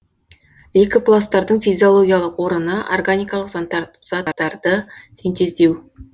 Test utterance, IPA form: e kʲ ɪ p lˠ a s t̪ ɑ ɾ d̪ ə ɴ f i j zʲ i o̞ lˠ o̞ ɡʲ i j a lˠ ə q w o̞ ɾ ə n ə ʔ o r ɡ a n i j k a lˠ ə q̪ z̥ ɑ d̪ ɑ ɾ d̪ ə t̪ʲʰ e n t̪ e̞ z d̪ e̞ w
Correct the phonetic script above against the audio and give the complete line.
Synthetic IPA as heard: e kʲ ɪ p lˠ a s t̪ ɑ ɾ d̪ ə ɴ f i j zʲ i o̞ lˠ o̞ ɡʲ i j a lˠ ə q w o̞ ɾ ə n ə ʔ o r ɡ a n i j k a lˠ ə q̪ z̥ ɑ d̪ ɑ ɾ d̪ ə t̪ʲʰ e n t̪ e̞ z d̪ e̞ w